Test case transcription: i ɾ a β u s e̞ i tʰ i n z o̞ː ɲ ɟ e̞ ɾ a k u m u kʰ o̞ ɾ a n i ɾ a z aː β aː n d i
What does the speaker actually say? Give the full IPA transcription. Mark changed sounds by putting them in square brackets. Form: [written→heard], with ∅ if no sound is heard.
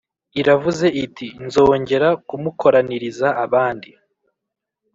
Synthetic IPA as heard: i ɾ a [β→v] u [s→z] e̞ i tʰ i n z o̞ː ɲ ɟ e̞ ɾ a k u m u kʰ o̞ ɾ a n i ɾ [a→i] z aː β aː n d i